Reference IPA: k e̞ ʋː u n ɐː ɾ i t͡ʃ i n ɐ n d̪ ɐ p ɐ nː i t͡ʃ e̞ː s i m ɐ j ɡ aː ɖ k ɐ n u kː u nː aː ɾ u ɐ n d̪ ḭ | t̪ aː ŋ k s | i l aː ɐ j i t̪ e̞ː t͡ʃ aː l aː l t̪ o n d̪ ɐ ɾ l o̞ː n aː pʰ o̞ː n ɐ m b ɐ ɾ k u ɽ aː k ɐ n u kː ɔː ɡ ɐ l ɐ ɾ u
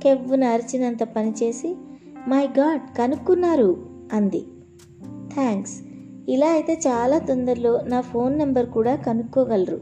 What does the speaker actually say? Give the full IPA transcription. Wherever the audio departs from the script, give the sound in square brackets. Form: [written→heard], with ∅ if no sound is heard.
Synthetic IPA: k e̞ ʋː u n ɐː ɾ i t͡ʃ i n ɐ n [d̪→t̪] ɐ p ɐ [nː→n] i t͡ʃ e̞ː s i m ɐ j ɡ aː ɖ k ɐ n u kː u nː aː ɾ u ɐ n d̪ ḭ | [t̪→t̪ʰ] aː ŋ k s | i l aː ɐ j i t̪ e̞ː t͡ʃ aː l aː [l→∅] t̪ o n d̪ ɐ ɾ l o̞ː n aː pʰ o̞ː [n→nː] ɐ m b ɐ ɾ k [u→uː] ɽ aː k ɐ n u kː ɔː ɡ ɐ l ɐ ɾ u